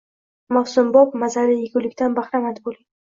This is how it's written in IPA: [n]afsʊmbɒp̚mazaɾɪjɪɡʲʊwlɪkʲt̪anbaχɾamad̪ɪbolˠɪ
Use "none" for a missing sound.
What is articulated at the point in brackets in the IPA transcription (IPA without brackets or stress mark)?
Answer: m